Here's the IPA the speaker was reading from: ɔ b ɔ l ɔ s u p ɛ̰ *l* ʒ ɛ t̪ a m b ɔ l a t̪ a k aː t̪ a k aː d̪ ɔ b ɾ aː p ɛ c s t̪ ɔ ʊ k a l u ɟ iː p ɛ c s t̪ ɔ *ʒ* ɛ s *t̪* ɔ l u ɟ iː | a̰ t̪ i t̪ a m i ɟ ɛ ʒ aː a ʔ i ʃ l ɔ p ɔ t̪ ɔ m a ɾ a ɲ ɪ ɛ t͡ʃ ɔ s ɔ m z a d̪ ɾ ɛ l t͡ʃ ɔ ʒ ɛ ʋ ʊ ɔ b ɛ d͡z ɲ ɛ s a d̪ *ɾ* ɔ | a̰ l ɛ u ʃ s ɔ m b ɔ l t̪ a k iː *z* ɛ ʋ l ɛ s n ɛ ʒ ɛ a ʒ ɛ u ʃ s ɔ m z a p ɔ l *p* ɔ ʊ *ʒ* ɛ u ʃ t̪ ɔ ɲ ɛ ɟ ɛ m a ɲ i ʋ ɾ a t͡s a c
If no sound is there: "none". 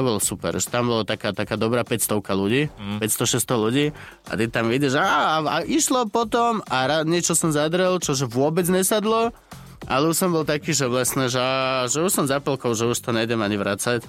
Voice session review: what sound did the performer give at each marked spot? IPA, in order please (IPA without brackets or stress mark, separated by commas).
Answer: ɾ, ʃ, t̪, l, ʒ, k, ʒ